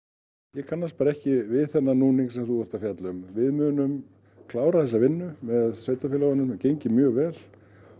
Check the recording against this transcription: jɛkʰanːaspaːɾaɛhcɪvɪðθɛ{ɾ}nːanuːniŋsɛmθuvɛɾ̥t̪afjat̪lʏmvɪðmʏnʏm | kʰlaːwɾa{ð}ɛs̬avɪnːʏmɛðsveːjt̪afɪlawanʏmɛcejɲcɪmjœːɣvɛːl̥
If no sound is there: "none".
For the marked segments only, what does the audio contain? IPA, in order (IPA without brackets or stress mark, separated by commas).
none, θ